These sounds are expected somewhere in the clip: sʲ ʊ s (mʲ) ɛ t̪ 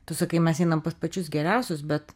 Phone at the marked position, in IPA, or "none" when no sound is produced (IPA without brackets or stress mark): bʲ